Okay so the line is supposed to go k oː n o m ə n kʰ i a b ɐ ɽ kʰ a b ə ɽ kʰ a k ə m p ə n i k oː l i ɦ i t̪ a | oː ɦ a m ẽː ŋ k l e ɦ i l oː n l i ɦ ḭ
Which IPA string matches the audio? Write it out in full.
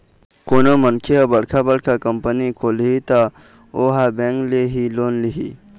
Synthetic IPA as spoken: k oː n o m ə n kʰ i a b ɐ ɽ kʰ a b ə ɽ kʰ a k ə m p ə n i k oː l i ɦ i t̪ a | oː ɦ a b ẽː ŋ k l e ɦ i l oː n l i ɦ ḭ